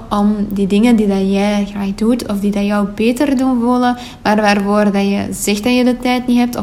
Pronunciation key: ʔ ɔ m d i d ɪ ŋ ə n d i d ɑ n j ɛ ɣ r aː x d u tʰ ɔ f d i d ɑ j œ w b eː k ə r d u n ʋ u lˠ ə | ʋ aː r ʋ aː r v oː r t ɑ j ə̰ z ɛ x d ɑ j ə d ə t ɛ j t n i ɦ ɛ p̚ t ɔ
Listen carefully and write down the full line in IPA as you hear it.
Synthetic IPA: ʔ ɔ m d i d ɪ ŋ ə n d i d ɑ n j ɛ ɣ r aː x d u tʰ ɔ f d i d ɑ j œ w b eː t ə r d u n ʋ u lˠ ə | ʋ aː r ʋ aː r v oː r d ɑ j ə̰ z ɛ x d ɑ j ə d ə t ɛ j t n i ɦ ɛ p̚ t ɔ